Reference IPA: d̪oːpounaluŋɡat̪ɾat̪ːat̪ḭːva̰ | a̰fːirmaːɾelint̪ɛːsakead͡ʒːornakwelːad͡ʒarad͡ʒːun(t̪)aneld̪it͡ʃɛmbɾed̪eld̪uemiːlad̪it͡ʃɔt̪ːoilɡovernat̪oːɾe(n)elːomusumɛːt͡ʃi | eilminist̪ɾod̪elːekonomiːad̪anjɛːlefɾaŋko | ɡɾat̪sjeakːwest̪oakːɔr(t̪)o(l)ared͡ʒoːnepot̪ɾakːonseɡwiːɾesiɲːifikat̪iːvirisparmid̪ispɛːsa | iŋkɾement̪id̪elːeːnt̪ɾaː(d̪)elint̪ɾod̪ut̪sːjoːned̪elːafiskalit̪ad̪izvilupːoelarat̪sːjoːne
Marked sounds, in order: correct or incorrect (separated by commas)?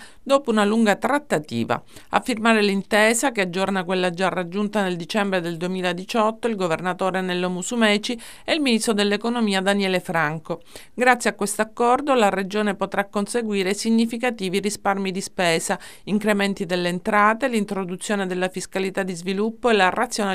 correct, correct, incorrect, correct, incorrect